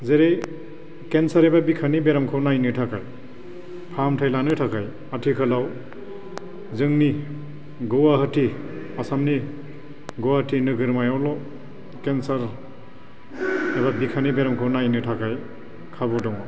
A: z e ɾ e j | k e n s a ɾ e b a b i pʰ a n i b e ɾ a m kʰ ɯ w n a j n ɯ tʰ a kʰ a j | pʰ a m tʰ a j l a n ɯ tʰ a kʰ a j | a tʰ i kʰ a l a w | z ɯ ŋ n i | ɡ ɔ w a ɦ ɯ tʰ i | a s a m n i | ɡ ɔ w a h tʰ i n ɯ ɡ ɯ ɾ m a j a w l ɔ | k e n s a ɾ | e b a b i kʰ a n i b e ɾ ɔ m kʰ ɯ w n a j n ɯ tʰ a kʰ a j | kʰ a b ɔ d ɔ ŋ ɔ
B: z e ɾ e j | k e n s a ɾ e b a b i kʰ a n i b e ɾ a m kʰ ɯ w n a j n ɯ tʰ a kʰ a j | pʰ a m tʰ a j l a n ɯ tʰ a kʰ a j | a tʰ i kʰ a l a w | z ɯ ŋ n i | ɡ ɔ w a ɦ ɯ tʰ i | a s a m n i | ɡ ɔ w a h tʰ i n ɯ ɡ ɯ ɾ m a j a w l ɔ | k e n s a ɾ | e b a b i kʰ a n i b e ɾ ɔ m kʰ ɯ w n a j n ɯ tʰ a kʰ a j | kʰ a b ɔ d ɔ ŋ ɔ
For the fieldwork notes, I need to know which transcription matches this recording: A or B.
B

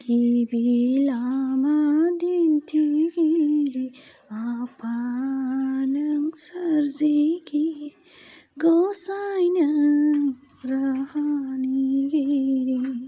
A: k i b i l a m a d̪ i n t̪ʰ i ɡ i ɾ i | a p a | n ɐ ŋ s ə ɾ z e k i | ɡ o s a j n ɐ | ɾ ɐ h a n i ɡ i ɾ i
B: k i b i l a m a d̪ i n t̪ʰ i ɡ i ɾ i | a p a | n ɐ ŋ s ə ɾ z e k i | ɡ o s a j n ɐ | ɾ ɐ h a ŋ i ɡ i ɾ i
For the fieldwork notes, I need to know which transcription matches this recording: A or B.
A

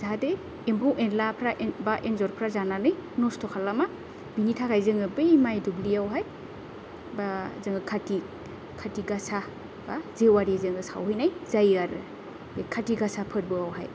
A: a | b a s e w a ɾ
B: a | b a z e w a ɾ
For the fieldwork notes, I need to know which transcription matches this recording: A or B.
B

